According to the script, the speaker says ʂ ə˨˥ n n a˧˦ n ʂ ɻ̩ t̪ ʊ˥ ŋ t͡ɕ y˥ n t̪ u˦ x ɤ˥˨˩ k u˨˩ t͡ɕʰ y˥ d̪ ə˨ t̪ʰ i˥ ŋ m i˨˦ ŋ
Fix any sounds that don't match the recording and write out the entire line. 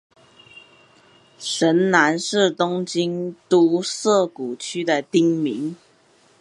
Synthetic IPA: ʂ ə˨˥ n n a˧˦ n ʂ ɻ̩ t̪ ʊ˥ ŋ t͡ɕ i˥ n t̪ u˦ s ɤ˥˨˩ k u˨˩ t͡ɕʰ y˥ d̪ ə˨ t̪ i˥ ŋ m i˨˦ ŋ